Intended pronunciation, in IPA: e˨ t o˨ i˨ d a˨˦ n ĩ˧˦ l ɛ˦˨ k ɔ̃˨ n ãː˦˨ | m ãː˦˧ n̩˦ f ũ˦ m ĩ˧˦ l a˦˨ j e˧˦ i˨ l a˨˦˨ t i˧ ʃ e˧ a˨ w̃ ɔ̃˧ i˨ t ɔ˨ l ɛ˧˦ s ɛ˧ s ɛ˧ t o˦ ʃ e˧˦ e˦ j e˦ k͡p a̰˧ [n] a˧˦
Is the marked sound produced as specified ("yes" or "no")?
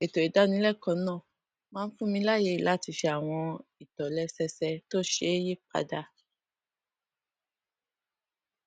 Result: no